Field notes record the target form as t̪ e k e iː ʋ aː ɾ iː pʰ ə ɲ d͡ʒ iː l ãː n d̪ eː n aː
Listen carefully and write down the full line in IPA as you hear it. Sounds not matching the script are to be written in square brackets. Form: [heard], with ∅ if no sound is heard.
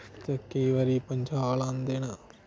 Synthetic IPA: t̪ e k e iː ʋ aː ɾ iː [p] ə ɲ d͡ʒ [aː] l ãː n d̪ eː n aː

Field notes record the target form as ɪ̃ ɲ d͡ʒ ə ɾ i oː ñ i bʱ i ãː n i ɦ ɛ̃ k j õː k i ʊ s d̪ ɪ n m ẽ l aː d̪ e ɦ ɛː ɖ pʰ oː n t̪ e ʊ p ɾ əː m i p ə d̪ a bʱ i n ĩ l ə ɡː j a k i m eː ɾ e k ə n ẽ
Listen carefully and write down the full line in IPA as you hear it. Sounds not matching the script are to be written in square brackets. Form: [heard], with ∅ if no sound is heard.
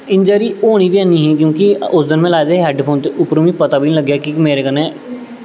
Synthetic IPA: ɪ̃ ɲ d͡ʒ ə ɾ i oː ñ i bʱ i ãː n i ɦ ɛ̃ k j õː k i ʊ s d̪ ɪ n m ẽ l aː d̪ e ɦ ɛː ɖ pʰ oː n t̪ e ʊ p ɾ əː m i p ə [t̪] a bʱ i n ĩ l ə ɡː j a k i m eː ɾ e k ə n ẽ

